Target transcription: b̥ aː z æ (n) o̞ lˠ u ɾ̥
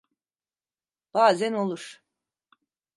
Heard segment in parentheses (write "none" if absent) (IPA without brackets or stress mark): n